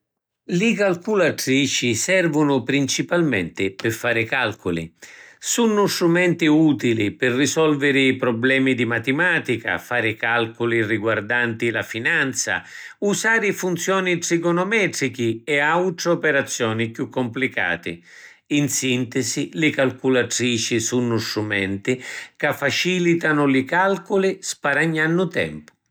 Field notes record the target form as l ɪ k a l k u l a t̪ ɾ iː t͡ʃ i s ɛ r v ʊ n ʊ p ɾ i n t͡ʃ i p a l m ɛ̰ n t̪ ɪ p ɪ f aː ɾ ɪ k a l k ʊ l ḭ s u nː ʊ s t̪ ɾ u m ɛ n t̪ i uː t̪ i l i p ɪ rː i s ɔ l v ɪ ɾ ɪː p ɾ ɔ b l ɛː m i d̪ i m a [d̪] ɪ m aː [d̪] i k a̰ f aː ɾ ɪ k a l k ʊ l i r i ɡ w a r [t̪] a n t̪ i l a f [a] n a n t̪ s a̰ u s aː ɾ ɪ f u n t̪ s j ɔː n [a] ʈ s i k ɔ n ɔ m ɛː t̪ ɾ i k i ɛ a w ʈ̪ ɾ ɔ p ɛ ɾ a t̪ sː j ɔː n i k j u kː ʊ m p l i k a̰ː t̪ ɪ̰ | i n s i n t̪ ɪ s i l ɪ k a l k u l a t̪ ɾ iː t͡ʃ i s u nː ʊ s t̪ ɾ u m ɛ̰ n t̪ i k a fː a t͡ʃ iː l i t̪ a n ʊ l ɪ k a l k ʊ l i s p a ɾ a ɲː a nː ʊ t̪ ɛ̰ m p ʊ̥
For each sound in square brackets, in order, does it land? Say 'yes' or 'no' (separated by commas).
no, no, no, no, no